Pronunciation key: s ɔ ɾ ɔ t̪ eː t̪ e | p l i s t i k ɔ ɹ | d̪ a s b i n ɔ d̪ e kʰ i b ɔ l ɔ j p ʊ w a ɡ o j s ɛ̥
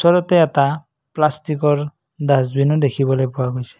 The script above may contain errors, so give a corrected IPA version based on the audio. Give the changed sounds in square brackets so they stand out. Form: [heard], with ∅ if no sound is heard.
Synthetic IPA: s ɔ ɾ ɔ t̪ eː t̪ [a] | p l [a] s t i k ɔ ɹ | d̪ a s b i n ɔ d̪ e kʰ i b ɔ l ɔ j p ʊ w a ɡ o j s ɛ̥